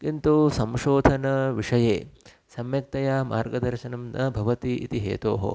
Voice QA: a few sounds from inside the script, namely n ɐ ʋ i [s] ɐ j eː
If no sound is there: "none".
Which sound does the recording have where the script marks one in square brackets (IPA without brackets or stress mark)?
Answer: ʂ